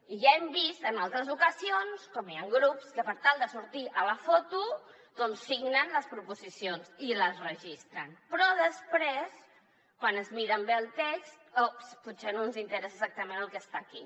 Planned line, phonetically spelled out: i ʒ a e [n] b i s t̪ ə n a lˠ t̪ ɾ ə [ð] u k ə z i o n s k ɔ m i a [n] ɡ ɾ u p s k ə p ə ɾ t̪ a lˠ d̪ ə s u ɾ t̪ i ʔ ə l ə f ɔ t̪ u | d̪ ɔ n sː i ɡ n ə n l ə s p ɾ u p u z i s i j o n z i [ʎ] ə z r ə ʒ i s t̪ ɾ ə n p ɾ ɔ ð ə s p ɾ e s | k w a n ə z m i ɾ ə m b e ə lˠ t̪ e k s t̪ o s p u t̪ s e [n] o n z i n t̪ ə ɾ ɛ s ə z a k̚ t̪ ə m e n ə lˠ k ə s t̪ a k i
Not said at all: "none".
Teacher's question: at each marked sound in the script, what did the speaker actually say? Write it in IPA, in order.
m, z, ŋ, l, n

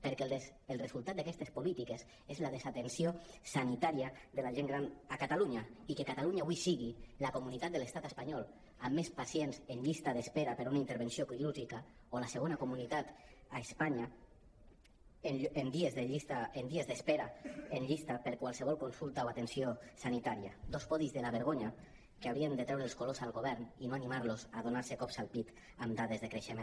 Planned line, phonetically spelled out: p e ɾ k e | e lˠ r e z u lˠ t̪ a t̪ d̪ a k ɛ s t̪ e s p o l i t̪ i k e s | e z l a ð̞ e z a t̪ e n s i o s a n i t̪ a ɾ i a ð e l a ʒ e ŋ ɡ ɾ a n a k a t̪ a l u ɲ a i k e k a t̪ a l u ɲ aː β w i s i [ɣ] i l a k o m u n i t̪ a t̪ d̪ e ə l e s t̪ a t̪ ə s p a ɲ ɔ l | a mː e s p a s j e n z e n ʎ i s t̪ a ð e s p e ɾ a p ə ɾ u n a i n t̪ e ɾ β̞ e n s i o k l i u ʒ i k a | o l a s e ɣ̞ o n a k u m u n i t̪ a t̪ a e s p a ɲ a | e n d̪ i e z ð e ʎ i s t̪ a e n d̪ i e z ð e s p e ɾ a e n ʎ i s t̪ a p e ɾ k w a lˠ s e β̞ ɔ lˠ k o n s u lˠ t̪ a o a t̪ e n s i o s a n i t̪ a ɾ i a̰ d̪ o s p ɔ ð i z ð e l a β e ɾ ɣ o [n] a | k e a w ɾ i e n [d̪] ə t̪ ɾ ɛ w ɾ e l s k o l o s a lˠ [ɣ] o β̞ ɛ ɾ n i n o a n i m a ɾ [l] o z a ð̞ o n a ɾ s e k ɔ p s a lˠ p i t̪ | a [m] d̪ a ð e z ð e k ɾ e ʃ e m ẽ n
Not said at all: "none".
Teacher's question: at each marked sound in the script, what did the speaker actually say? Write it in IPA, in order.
ɣ, ɲ, d̪, ɣ, l, m

